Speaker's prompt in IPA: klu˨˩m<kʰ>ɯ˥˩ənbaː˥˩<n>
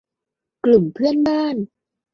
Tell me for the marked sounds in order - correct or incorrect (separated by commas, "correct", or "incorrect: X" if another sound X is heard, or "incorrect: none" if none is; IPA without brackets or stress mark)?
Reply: incorrect: pʰ, correct